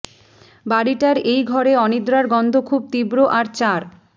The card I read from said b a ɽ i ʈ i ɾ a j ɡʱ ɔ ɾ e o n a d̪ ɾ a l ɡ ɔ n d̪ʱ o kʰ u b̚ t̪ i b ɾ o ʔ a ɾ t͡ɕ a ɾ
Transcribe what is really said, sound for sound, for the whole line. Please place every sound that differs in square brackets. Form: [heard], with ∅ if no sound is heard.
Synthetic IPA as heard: b a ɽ i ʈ [a] ɾ [e] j ɡʱ ɔ ɾ e [ɔ] n [i] d̪ ɾ a [ɾ] ɡ ɔ n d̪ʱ o kʰ u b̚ t̪ i b ɾ o ʔ a ɾ t͡ɕ a ɾ